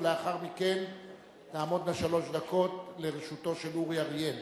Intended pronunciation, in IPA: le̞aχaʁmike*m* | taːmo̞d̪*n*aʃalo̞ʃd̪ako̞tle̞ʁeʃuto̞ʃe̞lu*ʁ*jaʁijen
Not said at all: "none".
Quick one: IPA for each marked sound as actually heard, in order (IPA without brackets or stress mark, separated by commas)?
n, n, ʁ